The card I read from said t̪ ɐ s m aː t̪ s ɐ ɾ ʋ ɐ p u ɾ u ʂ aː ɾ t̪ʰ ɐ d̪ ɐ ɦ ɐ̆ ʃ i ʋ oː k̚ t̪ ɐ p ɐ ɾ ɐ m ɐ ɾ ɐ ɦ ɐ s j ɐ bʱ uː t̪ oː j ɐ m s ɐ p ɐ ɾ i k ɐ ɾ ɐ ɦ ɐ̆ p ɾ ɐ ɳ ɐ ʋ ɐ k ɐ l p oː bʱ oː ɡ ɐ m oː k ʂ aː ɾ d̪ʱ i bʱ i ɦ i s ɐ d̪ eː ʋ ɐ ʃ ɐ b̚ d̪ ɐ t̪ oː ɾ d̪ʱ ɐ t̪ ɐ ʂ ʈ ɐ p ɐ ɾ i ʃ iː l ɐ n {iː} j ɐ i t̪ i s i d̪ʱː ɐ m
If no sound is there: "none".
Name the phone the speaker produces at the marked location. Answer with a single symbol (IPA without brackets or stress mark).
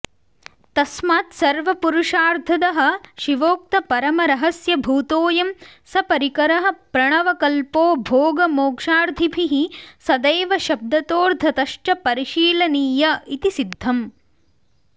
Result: iː